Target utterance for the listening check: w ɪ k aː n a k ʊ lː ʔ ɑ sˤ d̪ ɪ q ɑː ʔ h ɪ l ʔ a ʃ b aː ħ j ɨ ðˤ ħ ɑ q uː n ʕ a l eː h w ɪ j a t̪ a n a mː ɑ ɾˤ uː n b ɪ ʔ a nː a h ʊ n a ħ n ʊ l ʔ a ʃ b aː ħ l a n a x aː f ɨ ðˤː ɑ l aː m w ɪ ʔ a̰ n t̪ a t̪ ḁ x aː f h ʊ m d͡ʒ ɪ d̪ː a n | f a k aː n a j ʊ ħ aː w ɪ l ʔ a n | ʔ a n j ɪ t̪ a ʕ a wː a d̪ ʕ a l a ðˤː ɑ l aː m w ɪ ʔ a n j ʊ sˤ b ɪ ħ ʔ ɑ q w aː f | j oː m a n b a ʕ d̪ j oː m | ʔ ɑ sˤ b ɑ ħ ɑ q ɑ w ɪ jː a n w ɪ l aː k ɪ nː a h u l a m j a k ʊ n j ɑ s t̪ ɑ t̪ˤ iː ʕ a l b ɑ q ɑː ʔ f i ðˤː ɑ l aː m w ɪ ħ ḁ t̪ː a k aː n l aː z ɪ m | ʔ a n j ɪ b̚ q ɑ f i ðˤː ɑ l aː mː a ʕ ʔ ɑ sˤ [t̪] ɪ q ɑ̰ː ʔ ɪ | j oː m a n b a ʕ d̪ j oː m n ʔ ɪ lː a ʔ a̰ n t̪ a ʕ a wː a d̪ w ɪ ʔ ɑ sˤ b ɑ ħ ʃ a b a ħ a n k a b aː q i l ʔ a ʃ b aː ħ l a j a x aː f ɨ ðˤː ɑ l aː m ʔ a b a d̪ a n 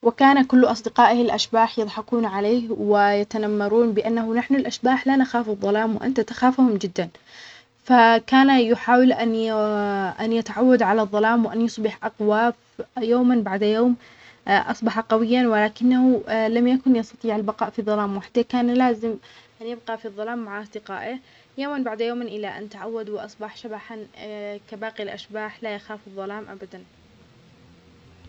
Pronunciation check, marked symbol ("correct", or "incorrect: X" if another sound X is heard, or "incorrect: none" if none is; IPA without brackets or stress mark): incorrect: d̪